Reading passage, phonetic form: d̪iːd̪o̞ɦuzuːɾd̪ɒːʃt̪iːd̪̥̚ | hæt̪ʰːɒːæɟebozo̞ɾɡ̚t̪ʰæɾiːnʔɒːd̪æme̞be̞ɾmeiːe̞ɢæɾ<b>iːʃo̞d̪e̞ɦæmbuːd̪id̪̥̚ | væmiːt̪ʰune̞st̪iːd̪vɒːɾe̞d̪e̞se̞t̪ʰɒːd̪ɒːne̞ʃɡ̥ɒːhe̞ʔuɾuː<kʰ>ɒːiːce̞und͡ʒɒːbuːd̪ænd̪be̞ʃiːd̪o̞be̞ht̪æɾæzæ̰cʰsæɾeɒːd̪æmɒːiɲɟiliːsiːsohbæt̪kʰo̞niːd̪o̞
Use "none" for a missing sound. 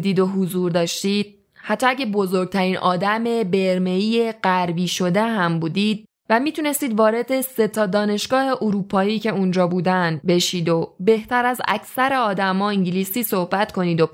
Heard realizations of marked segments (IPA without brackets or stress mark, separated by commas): b, pʰ